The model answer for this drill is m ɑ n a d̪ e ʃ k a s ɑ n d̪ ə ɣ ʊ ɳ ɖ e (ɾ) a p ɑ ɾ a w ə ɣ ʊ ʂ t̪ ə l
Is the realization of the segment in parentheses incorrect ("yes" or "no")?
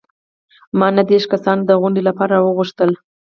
yes